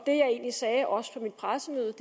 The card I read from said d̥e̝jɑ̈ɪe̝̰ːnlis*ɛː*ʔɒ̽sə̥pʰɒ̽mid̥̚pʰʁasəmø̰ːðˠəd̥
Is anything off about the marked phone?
no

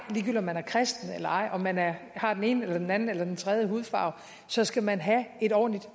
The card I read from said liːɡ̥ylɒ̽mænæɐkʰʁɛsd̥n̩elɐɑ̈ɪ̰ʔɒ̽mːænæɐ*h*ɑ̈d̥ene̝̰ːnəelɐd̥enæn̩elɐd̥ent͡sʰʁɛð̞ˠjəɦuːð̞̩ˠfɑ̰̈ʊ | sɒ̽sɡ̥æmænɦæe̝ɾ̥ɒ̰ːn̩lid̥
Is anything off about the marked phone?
no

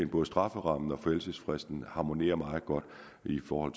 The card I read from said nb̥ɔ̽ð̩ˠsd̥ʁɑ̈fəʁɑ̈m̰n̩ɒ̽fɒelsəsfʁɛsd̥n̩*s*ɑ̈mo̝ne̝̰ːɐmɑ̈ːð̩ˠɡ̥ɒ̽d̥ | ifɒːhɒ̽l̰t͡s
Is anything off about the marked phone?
yes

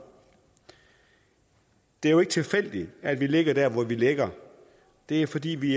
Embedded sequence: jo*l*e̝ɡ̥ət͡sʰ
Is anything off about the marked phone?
yes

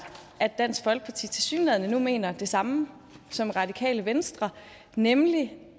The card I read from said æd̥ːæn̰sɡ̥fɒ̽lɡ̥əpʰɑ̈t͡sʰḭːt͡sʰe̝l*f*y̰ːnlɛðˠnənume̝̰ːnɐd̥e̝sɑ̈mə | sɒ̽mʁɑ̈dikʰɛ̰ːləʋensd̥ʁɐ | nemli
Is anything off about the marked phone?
yes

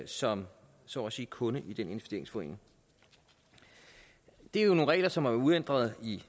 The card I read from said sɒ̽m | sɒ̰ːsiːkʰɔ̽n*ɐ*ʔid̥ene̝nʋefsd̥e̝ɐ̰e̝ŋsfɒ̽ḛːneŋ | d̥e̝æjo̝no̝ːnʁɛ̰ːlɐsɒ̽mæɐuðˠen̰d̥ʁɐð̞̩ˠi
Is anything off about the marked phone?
yes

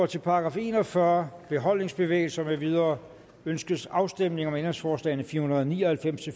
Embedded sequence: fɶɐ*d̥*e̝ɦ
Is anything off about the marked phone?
yes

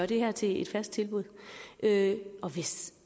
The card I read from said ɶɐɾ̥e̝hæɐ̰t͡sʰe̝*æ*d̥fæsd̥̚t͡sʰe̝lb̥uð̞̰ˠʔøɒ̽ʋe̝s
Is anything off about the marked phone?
yes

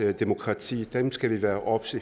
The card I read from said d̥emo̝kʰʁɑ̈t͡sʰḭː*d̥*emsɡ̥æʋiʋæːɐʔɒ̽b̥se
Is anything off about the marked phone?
no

